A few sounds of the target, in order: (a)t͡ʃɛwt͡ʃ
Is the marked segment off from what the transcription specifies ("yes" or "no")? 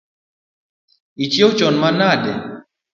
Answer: yes